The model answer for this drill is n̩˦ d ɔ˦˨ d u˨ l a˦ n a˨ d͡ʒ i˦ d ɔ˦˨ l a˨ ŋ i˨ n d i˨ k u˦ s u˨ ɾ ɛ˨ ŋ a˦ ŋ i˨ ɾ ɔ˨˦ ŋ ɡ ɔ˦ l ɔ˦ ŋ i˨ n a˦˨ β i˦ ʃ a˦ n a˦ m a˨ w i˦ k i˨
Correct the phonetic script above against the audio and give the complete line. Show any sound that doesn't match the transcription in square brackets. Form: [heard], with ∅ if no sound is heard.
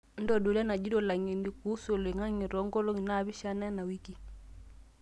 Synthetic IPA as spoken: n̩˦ d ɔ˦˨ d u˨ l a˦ n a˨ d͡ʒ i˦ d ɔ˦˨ l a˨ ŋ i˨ n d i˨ k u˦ s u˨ [l] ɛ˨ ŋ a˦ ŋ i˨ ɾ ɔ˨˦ ŋ ɡ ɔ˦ l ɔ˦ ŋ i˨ n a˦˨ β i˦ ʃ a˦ n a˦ [n] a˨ w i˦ k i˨